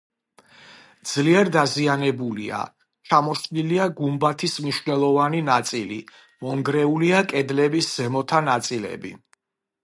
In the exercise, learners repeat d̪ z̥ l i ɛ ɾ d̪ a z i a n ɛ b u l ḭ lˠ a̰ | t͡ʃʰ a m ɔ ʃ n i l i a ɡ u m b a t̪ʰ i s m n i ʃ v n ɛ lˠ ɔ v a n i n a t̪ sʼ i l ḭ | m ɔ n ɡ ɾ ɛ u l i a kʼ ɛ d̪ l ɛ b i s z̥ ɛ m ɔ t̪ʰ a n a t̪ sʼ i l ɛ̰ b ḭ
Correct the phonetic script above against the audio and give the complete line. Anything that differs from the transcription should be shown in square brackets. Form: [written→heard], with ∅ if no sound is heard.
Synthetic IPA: d̪ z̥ l i ɛ ɾ d̪ a z i a n ɛ b u l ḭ [lˠ→∅] a̰ | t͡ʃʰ a m ɔ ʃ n i l i a ɡ u m b a t̪ʰ i s m n i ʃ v n ɛ lˠ ɔ v a n i n a t̪ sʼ i l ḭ | m ɔ [n→ŋ] ɡ ɾ ɛ u l i a kʼ ɛ d̪ l ɛ b i s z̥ ɛ m ɔ t̪ʰ a n a t̪ sʼ i l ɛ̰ b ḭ

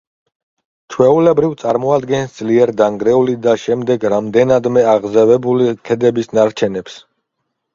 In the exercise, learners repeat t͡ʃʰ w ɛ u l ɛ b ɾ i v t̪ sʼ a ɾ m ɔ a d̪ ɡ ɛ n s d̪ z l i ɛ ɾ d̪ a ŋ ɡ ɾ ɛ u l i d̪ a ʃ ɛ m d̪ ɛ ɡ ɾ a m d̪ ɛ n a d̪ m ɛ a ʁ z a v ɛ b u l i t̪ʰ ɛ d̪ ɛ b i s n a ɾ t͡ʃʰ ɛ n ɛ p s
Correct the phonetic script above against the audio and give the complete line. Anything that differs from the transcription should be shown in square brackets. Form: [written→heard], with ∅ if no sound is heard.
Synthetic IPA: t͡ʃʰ w ɛ u l ɛ b ɾ i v t̪ sʼ a ɾ m ɔ a d̪ ɡ ɛ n s d̪ z l i ɛ ɾ d̪ a ŋ ɡ ɾ ɛ u l i d̪ a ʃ ɛ m d̪ ɛ ɡ ɾ a m d̪ ɛ n a d̪ m ɛ a ʁ z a v ɛ b u l i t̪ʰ ɛ d̪ ɛ b i s n a ɾ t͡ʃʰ ɛ n ɛ p s

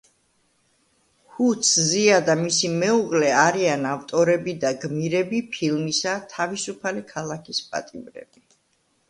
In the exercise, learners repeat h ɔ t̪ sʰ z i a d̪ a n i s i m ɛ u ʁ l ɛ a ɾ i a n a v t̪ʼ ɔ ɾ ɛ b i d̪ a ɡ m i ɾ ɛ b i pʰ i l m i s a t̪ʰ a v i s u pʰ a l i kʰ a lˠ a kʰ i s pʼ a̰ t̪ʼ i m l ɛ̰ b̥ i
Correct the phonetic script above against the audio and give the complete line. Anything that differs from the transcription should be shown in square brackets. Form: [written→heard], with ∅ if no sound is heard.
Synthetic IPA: h [ɔ→u] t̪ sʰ z i a d̪ a [n→m] i s i m ɛ u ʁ l ɛ a ɾ i a n a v t̪ʼ ɔ ɾ ɛ b i d̪ a ɡ m i ɾ ɛ b i pʰ i l m i s a t̪ʰ a v i s u pʰ a l i kʰ a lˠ a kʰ i s pʼ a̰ t̪ʼ i m [l→ɾ] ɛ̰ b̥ i

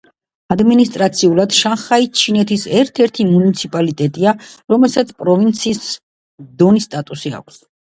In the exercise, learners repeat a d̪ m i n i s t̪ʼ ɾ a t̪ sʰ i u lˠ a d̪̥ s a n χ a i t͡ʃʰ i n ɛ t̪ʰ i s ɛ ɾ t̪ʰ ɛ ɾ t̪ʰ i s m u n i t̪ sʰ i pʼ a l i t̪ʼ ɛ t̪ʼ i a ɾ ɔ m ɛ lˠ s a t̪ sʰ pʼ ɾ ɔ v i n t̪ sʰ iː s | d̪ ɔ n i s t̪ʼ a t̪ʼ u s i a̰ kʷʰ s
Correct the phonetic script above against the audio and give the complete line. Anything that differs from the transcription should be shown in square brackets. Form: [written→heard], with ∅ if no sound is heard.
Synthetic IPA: a d̪ m i n i s t̪ʼ ɾ a t̪ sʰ i u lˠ a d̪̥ [s→ʃ] a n χ a i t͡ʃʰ i n ɛ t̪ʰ i s ɛ ɾ t̪ʰ ɛ ɾ t̪ʰ i [s→∅] m u n i t̪ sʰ i pʼ a l i t̪ʼ ɛ t̪ʼ i a ɾ ɔ m ɛ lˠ s a t̪ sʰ pʼ ɾ ɔ v i n t̪ sʰ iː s | d̪ ɔ n i s t̪ʼ a t̪ʼ u s i a̰ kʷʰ s

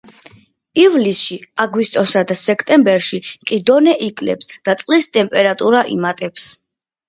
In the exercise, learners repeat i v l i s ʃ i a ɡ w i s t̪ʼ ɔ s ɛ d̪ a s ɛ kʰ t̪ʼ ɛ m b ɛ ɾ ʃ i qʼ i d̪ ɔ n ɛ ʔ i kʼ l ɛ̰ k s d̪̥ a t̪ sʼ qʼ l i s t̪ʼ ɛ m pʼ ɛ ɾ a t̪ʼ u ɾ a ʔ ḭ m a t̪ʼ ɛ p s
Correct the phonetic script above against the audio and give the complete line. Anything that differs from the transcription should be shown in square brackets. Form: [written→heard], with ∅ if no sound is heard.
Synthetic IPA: i v l i s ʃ i a ɡ w i s t̪ʼ ɔ s [ɛ→a] d̪ a s ɛ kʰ t̪ʼ ɛ m b ɛ ɾ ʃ i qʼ i d̪ ɔ n ɛ ʔ i kʼ l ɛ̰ [k→p] s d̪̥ a t̪ sʼ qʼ l i s t̪ʼ ɛ m pʼ ɛ ɾ a t̪ʼ u ɾ a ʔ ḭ m a t̪ʼ ɛ p s

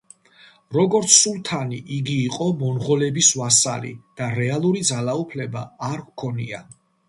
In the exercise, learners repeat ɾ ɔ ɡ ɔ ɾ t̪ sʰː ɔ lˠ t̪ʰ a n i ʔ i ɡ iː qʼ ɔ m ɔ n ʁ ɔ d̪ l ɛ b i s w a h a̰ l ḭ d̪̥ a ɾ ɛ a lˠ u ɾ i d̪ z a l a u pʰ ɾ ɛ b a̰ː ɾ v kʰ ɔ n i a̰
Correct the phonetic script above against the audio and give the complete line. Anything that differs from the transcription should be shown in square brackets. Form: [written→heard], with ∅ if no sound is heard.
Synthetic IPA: ɾ ɔ ɡ ɔ ɾ t̪ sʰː [ɔ→u] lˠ t̪ʰ a n i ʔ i ɡ iː qʼ ɔ m ɔ n ʁ ɔ [d̪→∅] l ɛ b i s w a [h→s] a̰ l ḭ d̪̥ a ɾ ɛ a lˠ u ɾ i d̪ z a l a u pʰ [ɾ→l] ɛ b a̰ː ɾ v kʰ ɔ n i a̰

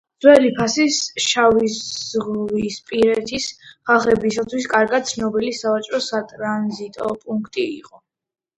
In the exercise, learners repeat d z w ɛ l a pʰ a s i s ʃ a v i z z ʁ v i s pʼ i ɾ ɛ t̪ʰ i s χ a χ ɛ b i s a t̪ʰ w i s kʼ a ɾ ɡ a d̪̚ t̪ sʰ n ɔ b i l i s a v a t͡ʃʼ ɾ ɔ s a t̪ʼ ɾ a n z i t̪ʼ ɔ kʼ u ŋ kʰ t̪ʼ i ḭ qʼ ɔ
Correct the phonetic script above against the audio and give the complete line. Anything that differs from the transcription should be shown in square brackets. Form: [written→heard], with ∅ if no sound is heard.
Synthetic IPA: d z w ɛ l [a→i] pʰ a s i s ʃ a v i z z ʁ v i s pʼ i ɾ ɛ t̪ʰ i s χ a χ ɛ b i s a t̪ʰ w i s kʼ a ɾ ɡ a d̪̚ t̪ sʰ n ɔ b i l i s a v a t͡ʃʼ ɾ ɔ s a t̪ʼ ɾ a n z i t̪ʼ ɔ [kʼ→pʼ] u ŋ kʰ t̪ʼ i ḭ qʼ ɔ

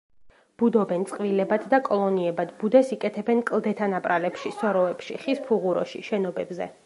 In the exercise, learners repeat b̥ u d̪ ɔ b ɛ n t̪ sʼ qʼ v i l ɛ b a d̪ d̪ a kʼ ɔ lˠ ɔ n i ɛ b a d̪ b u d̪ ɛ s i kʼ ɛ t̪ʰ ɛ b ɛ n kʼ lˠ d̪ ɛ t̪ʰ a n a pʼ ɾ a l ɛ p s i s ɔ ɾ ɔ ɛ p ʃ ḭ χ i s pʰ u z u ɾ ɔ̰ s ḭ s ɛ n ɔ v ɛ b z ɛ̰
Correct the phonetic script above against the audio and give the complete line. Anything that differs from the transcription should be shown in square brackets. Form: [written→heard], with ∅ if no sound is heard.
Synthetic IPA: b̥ u d̪ ɔ b ɛ n t̪ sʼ qʼ v i l ɛ b a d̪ d̪ a kʼ ɔ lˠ ɔ n i ɛ b a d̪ b u d̪ ɛ s i kʼ ɛ t̪ʰ ɛ b ɛ n kʼ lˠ d̪ ɛ t̪ʰ a n a pʼ ɾ a l ɛ p [s→ʃ] i s ɔ ɾ ɔ ɛ p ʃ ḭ χ i s pʰ u [z→ʁ] u ɾ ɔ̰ [s→ʃ] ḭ [s→ʃ] ɛ n ɔ [v→b] ɛ b z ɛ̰

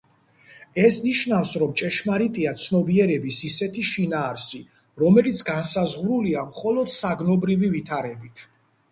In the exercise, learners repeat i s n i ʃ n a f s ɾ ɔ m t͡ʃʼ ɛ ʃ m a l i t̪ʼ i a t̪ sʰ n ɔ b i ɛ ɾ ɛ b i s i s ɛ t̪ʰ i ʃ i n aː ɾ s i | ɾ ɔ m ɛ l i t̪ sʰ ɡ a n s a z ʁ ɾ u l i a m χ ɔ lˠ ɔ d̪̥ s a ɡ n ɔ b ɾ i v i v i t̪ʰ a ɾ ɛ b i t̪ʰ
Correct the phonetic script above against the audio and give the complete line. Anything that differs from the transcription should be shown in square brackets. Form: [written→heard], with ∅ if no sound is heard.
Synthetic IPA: [i→ɛ] s n i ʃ n a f s ɾ ɔ m t͡ʃʼ ɛ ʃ m a [l→ɾ] i t̪ʼ i a t̪ sʰ n ɔ b i ɛ ɾ ɛ b i s i s ɛ t̪ʰ i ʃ i n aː ɾ s i | ɾ ɔ m ɛ l i t̪ sʰ ɡ a n s a z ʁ ɾ u l i a m χ ɔ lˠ ɔ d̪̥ s a ɡ n ɔ b ɾ i v i v i t̪ʰ a ɾ ɛ b i t̪ʰ

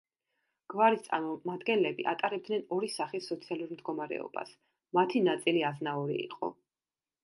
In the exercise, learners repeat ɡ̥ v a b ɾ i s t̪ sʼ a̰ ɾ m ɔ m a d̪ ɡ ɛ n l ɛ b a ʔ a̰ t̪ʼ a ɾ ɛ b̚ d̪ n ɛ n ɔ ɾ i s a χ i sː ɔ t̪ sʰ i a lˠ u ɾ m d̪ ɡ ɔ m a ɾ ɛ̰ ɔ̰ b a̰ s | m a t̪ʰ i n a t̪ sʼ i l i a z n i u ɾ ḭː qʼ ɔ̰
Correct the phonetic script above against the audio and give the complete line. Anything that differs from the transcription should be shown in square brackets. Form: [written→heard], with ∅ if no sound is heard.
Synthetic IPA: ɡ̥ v a [b→∅] ɾ i s t̪ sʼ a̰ ɾ m ɔ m a d̪ ɡ ɛ n l ɛ b [a→i] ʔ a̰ t̪ʼ a ɾ ɛ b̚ d̪ n ɛ n ɔ ɾ i s a χ i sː ɔ t̪ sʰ i a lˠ u ɾ m d̪ ɡ ɔ m a ɾ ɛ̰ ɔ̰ b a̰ s | m a t̪ʰ i n a t̪ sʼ i l i a z n [i→a] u ɾ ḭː qʼ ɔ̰

